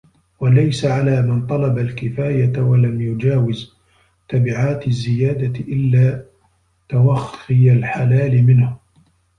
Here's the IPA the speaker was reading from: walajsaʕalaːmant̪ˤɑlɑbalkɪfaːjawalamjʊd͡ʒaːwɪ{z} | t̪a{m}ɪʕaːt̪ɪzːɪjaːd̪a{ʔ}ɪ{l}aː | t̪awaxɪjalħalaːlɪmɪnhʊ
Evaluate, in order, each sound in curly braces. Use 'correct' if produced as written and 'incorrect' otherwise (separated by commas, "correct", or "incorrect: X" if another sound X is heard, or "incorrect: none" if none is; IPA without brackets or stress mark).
correct, incorrect: b, correct, incorrect: lː